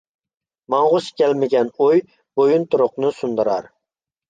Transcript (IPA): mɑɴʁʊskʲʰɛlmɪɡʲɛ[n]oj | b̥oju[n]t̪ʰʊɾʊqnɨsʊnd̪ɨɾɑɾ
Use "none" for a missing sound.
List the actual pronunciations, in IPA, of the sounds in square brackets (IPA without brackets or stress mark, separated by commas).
n, n